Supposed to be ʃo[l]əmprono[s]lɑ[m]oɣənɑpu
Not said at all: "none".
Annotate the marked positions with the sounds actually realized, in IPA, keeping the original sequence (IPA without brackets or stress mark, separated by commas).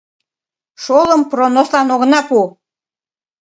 l, s, n